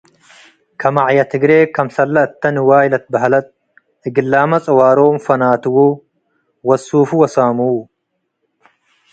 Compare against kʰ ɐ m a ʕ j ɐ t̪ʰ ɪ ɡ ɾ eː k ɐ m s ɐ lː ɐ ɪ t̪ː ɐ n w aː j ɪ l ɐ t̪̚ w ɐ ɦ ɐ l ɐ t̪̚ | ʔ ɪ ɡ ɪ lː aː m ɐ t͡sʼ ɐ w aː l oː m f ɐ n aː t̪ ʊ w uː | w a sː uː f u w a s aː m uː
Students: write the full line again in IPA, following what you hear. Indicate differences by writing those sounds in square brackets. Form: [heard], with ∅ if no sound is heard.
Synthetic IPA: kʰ ɐ m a ʕ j ɐ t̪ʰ ɪ ɡ ɾ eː k ɐ m s ɐ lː ɐ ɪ t̪ː ɐ n w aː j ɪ l ɐ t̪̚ [b] ɐ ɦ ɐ l ɐ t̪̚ | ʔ ɪ ɡ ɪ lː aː m ɐ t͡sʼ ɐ w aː [ɾ] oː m f ɐ n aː t̪ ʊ w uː | w [ɐ] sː uː f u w [ɐ] s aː m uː